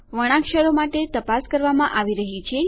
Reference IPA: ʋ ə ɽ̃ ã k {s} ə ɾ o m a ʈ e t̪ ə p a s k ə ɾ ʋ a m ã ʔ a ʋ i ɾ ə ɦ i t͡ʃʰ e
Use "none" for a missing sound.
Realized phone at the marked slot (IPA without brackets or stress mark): ʃ